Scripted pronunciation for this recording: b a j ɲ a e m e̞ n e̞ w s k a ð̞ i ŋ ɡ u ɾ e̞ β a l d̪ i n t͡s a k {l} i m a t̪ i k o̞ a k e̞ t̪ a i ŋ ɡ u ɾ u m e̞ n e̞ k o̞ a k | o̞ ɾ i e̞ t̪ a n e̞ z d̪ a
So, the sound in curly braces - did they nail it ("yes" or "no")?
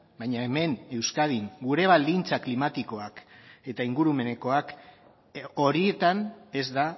yes